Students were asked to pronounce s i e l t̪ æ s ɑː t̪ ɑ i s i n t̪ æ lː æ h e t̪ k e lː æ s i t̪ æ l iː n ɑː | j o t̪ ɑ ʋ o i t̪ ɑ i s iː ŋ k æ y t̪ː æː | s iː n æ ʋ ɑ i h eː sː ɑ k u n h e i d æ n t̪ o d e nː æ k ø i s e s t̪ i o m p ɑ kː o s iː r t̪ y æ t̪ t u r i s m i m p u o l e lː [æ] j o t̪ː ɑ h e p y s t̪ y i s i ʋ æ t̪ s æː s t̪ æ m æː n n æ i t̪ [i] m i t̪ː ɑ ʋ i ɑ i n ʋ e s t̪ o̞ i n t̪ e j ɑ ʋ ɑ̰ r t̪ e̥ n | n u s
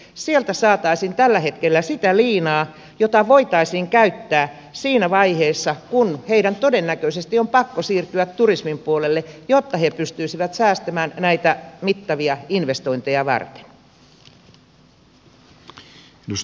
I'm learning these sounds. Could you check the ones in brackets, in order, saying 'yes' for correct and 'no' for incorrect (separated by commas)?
no, no